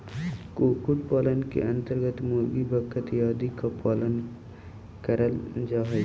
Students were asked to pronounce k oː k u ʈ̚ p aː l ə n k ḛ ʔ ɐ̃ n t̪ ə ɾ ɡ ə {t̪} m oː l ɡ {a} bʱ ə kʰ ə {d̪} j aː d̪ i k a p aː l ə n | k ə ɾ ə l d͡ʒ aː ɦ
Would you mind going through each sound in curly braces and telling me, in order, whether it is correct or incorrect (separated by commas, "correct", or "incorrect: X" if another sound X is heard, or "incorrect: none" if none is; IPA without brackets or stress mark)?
correct, incorrect: i, incorrect: t̪